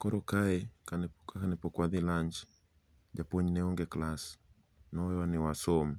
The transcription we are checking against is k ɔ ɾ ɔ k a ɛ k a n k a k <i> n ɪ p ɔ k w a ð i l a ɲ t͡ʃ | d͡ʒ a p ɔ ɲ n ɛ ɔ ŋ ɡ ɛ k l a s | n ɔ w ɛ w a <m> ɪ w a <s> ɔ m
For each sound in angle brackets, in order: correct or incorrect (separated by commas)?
incorrect, incorrect, correct